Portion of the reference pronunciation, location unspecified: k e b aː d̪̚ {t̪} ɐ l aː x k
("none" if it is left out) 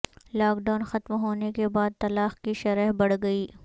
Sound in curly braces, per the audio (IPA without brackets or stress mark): t̪